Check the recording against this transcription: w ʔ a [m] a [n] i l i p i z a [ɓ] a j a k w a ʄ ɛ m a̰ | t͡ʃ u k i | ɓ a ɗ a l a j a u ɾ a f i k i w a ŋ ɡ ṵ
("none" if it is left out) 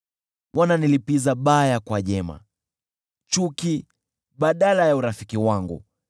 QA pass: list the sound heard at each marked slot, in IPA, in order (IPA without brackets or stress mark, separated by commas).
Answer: n, n, ɓ